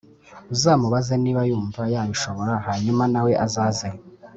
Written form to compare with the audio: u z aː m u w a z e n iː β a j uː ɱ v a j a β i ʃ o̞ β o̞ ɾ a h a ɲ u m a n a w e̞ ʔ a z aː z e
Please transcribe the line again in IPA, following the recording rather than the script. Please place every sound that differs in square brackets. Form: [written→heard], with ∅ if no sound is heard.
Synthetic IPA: u z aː m u [w→β] a z e n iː β a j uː ɱ v a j a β i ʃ o̞ β o̞ ɾ a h a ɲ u m a n a w e̞ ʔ a z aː z e